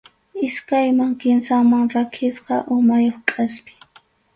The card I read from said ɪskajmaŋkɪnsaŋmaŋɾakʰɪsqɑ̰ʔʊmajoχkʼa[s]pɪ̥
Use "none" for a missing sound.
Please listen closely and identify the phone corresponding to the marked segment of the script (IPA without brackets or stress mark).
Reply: s